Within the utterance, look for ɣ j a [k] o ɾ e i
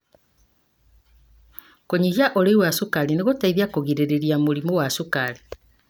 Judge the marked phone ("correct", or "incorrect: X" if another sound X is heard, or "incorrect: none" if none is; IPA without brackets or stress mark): incorrect: ʔ